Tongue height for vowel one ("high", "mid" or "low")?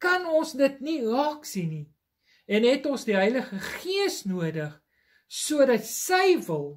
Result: low